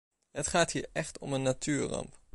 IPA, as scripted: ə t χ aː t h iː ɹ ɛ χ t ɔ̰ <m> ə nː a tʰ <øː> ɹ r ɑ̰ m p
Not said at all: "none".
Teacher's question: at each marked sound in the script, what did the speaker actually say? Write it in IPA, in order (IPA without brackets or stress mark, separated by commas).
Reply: m, yː